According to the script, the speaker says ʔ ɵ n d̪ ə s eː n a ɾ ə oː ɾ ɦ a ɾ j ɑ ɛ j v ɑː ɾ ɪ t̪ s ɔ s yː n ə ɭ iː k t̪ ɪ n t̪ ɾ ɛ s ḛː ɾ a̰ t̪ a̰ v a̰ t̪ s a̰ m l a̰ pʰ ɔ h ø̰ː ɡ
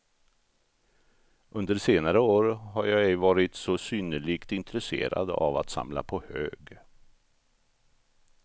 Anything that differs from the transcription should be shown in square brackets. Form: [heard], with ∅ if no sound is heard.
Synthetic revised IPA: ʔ ɵ n d̪ ə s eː n a ɾ ə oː ɾ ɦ a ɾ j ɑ ɛ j v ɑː ɾ ɪ t̪ s ɔ s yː n ə ɭ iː k t̪ ɪ n t̪ ɾ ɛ s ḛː ɾ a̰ [d̪] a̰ v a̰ t̪ s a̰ m l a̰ pʰ ɔ h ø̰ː ɡ